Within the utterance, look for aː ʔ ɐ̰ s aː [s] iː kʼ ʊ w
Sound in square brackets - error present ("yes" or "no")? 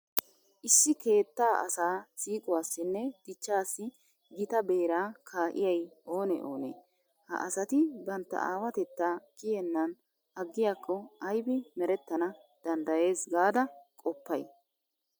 no